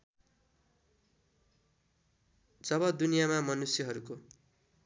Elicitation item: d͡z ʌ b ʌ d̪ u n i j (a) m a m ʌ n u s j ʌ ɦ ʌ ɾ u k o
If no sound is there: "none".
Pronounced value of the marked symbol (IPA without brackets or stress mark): a